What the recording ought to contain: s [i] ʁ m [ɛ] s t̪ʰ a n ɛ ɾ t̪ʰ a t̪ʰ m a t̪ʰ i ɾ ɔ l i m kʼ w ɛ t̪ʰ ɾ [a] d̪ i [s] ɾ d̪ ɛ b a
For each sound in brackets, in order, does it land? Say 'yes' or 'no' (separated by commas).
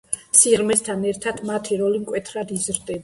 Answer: yes, yes, yes, no